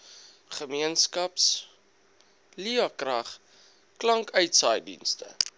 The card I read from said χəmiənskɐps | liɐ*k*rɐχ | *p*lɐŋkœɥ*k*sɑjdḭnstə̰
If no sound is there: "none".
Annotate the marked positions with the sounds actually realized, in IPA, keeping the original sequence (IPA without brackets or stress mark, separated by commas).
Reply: k, k, t